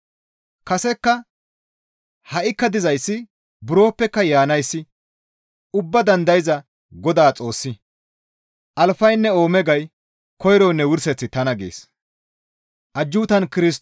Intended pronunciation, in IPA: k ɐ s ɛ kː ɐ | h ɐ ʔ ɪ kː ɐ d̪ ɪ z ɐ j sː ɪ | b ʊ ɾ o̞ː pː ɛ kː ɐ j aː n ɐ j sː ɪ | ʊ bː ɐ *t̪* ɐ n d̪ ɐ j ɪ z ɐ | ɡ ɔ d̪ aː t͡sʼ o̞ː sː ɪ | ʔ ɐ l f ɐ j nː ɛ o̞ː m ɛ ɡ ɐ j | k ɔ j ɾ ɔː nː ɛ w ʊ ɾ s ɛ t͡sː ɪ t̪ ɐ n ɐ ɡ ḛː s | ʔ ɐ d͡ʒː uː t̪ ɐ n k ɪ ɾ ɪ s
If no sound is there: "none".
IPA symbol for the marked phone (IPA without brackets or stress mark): d̪